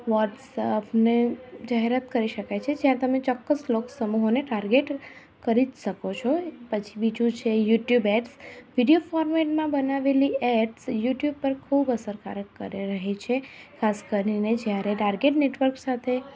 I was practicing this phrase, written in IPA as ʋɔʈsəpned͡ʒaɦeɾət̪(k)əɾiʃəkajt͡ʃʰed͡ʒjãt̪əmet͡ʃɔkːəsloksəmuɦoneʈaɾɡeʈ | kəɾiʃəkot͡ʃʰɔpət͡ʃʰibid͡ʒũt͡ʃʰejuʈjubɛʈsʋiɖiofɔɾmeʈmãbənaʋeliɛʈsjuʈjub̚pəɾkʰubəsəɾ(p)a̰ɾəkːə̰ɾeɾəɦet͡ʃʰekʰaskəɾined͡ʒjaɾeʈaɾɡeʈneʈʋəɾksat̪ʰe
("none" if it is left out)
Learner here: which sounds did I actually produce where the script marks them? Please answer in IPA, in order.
k, k

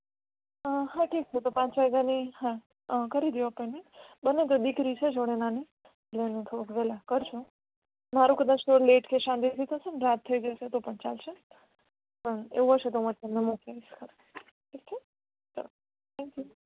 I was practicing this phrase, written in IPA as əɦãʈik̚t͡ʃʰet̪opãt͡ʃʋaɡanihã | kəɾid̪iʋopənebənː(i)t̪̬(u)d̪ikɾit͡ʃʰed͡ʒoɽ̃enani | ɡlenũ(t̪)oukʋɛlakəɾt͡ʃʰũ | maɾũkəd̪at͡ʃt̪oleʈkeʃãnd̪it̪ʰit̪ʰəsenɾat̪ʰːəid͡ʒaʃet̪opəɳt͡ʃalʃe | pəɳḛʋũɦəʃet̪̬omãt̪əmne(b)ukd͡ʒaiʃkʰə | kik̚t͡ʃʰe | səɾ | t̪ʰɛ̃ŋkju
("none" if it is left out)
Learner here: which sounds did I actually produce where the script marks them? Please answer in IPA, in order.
e, o, t̪ʰ, m

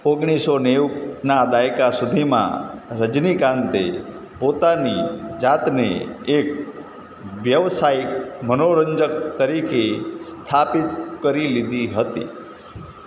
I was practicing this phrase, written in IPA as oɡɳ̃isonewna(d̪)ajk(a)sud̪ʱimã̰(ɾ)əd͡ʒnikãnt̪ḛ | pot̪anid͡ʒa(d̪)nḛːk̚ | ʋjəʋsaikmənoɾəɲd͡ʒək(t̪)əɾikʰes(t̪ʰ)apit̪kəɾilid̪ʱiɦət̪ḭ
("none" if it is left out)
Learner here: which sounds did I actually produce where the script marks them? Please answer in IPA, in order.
d̪, a, ɾ, t̪, t̪, t̪ʰ

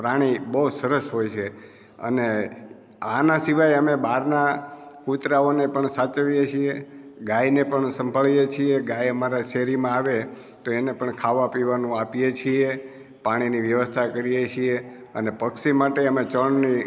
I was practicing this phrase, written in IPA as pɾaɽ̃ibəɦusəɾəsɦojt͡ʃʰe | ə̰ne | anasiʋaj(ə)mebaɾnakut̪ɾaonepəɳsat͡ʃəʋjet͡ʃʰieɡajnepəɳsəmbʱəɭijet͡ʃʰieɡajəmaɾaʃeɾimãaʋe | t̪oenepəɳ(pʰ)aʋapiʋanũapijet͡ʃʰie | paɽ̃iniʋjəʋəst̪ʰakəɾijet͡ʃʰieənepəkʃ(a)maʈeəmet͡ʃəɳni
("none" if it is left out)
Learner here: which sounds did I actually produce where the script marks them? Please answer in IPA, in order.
ə, kʰ, i

